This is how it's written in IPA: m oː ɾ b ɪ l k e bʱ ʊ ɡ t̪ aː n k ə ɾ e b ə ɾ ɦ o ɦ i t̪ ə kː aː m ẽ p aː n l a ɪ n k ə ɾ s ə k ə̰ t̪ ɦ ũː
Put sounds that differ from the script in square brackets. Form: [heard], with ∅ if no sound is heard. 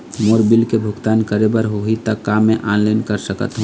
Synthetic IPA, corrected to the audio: m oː ɾ b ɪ l k e bʱ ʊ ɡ t̪ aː n k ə ɾ e b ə ɾ ɦ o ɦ i t̪ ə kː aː m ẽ [ʔ] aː n l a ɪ n k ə ɾ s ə k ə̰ t̪ ɦ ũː